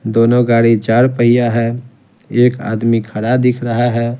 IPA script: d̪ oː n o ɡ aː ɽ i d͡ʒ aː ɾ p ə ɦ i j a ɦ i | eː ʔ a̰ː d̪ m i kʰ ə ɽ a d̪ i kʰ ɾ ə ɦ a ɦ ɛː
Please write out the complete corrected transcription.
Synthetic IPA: d̪ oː n o ɡ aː ɽ i d͡ʒ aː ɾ p ə ɦ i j a ɦ ɛ | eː k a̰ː d̪ m i kʰ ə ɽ a d̪ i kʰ ɾ ə ɦ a ɦ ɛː

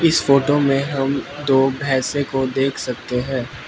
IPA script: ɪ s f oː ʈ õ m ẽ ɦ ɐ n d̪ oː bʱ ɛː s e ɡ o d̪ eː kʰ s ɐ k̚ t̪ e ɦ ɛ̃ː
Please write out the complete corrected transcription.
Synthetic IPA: ɪ s f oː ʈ o m ẽ ɦ ɐ m d̪ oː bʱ ɛː s e k o d̪ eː kʰ s ɐ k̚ t̪ e ɦ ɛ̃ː

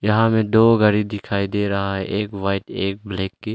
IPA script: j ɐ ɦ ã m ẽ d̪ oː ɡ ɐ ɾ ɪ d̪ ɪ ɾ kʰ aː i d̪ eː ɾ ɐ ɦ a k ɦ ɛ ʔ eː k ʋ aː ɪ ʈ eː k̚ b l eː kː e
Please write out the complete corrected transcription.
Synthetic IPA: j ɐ ɦ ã m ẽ d̪ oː ɡ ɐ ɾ i d̪ ɪ kʰ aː i d̪ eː ɾ ɐ ɦ a ɦ ɛ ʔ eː k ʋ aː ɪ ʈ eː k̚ b l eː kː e

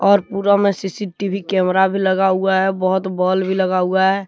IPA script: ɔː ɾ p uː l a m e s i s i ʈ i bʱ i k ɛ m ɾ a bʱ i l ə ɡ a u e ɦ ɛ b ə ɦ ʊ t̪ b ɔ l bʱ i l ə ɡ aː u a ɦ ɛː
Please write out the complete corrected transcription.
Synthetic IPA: ɔː ɾ p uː ɾ a m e s i s i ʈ i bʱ i k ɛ m ɾ a bʱ i l ə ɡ a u a ɦ ɛ b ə ɦ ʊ t̪ b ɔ l bʱ i l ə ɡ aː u a ɦ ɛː

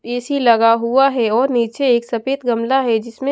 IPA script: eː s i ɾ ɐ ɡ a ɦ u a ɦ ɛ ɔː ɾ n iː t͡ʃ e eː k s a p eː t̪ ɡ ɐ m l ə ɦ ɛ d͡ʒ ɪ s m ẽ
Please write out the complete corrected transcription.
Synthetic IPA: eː s i l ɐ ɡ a ɦ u a ɦ ɛ ɔː ɾ n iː t͡ʃ e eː k s ɐ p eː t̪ ɡ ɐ m l a ɦ ɛ d͡ʒ ɪ s m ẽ

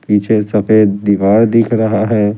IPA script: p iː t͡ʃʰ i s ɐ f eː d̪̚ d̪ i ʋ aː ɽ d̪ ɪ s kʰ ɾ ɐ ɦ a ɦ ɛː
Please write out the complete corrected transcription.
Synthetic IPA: p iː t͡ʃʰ e s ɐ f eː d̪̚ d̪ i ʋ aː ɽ d̪ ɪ kʰ ɾ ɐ ɦ a ɦ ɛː

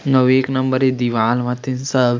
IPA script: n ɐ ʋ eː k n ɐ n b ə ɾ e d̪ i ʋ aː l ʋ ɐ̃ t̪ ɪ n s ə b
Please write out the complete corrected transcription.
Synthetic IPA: n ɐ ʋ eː k n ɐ m b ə ɾ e d̪ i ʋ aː l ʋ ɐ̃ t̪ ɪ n s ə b

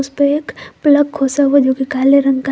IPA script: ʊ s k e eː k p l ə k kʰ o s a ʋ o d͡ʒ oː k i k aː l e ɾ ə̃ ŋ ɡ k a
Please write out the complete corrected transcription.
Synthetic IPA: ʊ s p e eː k p l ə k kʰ o s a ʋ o d͡ʒ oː k i k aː l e ɾ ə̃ ŋ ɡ k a

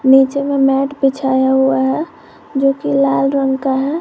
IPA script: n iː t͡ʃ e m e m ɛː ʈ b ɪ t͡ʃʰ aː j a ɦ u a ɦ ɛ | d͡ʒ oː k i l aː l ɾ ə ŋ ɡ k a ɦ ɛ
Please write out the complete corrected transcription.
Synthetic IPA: n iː t͡ʃ e m e m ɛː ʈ b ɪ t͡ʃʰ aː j a ɦ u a ɦ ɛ | d͡ʒ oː k i l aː l ɾ ə ŋ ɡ k a ɦ ɛ

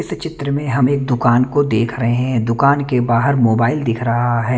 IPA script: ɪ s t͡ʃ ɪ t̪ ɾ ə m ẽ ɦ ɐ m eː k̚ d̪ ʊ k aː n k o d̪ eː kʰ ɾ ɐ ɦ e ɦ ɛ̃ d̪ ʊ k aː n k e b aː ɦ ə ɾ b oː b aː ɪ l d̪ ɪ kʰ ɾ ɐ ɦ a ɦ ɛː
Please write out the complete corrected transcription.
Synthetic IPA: ɪ s t͡ʃ ɪ t̪ ɾ ə m ẽ ɦ ɐ m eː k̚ d̪ ʊ k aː n k o d̪ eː kʰ ɾ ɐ ɦ e ɦ ɛ̃ d̪ ʊ k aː n k e b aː ɦ ə ɾ m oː b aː ɪ l d̪ ɪ kʰ ɾ ɐ ɦ a ɦ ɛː

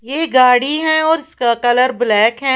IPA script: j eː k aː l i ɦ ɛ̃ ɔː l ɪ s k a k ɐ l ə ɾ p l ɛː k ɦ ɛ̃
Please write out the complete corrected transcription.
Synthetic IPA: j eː ɡ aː ɽ i ɦ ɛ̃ ɔː ɾ ɪ s k a k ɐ l ə ɾ b l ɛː k ɦ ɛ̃

